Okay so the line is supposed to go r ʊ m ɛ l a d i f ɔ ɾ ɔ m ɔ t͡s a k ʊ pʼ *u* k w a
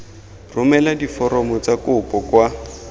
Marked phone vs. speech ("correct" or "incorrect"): incorrect